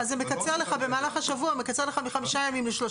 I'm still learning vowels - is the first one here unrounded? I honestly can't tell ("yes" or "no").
yes